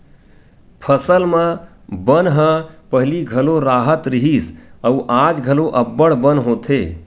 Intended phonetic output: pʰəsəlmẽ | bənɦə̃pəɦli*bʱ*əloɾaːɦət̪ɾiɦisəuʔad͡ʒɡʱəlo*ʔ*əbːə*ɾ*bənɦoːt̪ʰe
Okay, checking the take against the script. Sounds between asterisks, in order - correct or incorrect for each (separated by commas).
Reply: incorrect, correct, incorrect